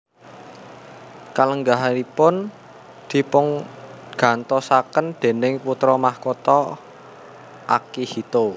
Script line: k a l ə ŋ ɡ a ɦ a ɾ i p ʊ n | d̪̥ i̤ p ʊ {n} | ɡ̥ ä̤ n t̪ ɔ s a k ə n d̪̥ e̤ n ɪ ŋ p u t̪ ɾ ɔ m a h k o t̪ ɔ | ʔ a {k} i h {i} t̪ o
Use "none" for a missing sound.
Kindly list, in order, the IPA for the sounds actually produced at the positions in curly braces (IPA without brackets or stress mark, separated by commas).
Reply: ŋ, k, i